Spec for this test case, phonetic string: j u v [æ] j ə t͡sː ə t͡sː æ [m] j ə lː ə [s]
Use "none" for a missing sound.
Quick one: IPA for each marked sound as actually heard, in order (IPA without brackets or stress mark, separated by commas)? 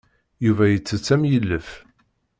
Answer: æ, m, f